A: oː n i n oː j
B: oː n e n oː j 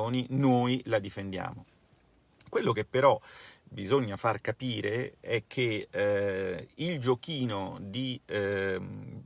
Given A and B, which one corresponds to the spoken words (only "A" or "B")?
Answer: A